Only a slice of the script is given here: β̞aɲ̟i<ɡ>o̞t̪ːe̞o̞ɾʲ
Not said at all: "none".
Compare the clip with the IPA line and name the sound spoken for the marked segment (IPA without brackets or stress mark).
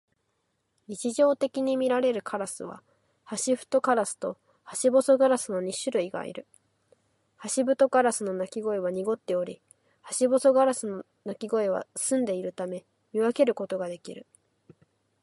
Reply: ɡ